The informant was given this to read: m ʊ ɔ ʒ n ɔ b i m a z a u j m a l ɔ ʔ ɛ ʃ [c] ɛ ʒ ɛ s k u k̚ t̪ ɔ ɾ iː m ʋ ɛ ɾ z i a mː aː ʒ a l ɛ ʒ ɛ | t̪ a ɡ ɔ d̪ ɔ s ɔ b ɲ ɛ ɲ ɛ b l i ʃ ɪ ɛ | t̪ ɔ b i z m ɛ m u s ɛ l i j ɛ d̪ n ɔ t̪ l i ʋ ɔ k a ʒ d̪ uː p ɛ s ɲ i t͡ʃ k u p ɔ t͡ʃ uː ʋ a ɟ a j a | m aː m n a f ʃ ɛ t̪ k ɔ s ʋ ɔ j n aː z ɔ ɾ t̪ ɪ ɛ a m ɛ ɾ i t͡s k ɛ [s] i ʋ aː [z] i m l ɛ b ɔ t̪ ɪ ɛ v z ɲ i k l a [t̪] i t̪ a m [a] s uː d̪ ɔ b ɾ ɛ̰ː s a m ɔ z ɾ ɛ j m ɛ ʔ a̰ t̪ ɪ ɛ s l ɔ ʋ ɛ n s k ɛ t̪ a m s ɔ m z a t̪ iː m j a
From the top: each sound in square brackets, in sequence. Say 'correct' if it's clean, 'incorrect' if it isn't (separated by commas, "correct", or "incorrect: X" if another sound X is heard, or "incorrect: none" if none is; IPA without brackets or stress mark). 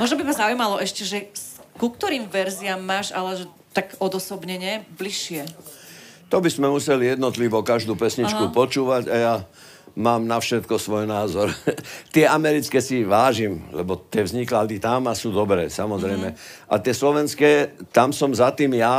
correct, correct, incorrect: ʒ, incorrect: d̪, correct